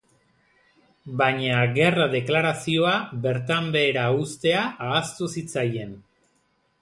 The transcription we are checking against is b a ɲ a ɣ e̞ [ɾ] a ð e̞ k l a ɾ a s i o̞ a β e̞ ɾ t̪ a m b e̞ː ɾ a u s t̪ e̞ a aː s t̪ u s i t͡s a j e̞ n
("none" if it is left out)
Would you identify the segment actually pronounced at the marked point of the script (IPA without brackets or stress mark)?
r